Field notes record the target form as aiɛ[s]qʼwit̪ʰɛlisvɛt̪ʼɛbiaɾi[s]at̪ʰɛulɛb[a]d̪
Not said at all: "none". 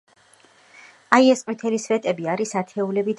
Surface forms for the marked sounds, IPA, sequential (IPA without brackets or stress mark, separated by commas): s, s, i